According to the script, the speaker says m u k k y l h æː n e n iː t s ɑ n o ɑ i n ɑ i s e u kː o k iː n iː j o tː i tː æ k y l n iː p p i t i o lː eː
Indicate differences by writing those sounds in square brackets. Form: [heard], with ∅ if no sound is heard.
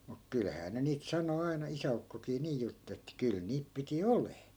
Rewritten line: m u k k y l h æː n e n iː t s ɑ n o ɑ i n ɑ i s [æ] u kː o k iː n iː j [u] tː [e] tː æ k y l n iː p p i t i o [l] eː